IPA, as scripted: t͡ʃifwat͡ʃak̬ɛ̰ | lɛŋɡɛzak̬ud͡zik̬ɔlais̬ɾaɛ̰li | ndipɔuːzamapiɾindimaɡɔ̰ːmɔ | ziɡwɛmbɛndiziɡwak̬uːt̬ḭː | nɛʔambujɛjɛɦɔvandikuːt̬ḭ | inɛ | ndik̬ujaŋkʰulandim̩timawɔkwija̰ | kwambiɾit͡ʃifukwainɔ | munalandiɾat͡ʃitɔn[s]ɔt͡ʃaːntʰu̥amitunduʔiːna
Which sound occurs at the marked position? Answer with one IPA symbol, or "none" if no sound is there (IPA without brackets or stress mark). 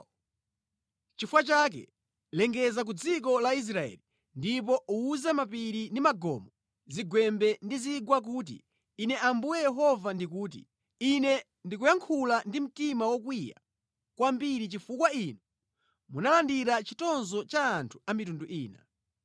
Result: z